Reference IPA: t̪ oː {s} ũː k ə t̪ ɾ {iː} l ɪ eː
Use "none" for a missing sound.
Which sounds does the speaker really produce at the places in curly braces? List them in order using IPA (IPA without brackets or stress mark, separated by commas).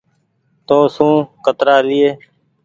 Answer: s, aː